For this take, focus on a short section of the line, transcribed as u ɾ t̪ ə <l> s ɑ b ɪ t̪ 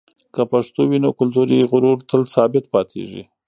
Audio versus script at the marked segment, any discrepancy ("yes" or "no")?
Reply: no